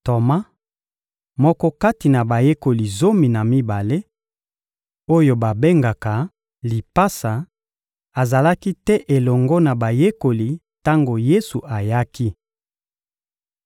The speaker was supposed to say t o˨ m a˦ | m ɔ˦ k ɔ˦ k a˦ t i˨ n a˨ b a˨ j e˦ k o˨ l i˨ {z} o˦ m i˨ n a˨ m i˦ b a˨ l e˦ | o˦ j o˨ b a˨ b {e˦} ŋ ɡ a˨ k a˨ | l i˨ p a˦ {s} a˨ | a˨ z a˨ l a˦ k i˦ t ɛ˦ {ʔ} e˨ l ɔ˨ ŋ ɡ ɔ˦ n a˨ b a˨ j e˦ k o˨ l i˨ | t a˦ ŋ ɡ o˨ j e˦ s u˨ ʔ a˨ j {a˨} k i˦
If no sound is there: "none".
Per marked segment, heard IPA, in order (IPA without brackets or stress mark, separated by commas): z, e˦, s, ʔ, a˦